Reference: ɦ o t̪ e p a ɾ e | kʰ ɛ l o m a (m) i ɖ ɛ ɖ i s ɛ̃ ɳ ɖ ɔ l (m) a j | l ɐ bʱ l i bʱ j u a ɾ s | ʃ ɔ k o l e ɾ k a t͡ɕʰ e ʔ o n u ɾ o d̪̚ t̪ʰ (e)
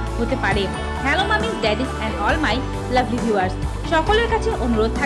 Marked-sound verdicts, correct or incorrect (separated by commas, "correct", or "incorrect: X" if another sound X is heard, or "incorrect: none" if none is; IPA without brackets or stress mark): correct, correct, incorrect: a